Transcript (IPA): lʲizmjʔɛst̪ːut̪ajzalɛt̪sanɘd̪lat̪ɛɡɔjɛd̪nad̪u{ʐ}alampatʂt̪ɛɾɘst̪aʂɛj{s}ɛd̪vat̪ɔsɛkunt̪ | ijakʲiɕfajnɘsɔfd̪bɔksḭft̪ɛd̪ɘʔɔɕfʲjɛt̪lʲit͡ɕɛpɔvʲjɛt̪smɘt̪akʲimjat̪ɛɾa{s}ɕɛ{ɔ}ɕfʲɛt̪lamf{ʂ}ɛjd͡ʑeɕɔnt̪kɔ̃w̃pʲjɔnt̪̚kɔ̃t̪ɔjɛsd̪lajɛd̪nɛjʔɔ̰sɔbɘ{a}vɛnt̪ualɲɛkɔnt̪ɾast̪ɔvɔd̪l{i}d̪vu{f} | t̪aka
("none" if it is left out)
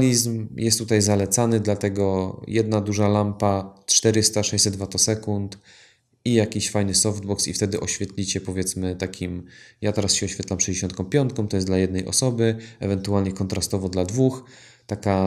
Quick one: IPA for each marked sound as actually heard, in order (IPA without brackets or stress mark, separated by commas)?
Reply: ʐ, s, s, ɔ, ʂ, ɛ, a, x